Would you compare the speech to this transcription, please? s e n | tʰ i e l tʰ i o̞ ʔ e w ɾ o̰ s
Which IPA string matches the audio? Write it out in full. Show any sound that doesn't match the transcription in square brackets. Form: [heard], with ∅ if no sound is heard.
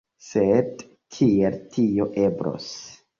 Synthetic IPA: s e [d] | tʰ i e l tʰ i o̞ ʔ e [b] ɾ o̰ s